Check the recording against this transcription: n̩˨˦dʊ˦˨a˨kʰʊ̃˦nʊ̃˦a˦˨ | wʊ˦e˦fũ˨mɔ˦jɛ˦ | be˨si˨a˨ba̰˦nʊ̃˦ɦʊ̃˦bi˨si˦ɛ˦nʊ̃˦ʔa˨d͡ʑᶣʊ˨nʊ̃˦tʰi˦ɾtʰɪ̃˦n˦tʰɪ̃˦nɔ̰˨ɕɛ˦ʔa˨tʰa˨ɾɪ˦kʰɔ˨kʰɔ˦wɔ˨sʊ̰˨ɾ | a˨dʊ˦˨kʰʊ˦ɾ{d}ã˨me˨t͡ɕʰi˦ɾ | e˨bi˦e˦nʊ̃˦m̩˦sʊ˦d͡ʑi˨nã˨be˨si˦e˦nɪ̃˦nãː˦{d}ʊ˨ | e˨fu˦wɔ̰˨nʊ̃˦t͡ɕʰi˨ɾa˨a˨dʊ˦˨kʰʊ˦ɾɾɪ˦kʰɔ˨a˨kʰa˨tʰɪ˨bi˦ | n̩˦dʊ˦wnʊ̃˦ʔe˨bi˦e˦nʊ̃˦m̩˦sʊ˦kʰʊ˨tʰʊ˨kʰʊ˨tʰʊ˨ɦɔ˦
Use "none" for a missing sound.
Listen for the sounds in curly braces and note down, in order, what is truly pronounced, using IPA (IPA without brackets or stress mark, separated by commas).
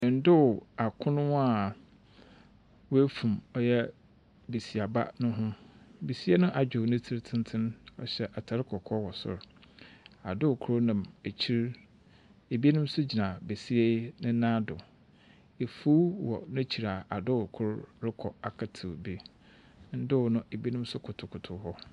n, d